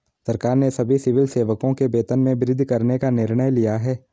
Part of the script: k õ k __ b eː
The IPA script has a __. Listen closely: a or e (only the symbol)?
e